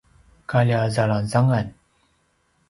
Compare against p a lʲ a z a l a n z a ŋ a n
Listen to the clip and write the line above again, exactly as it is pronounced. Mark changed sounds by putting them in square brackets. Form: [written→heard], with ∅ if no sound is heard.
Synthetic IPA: [p→k] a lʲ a z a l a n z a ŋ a n